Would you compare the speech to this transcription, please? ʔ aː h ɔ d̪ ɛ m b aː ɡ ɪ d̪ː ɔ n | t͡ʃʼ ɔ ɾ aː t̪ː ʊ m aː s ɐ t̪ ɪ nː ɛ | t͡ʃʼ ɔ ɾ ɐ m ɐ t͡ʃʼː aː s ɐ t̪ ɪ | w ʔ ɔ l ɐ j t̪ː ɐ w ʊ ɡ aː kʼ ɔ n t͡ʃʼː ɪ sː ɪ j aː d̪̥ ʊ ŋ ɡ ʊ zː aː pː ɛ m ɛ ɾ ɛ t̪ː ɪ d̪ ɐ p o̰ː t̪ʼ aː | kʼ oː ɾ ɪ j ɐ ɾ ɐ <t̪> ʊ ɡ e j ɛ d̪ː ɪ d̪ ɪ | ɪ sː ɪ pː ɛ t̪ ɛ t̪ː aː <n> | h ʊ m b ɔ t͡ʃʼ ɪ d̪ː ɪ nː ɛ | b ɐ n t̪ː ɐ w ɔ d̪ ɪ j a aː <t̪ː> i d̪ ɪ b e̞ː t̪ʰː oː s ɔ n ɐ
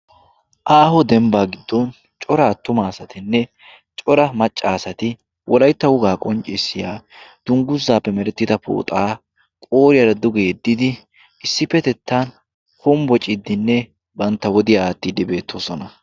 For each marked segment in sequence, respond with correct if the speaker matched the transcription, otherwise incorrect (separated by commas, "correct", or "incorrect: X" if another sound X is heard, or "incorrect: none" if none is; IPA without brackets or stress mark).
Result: incorrect: d̪, correct, correct